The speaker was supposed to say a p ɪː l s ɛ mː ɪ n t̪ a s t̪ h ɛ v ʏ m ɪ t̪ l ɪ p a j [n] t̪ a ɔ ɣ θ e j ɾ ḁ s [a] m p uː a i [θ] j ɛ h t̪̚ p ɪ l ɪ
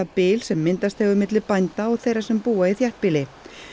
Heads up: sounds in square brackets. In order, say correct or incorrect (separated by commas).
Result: correct, incorrect, correct